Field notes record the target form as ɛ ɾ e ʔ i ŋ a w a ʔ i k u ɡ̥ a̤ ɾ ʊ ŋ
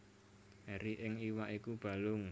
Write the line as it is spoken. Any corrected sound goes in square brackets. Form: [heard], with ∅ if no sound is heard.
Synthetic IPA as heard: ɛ ɾ [i] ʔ [ɪ] ŋ [i] w a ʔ i k u [b̥] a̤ [l] ʊ ŋ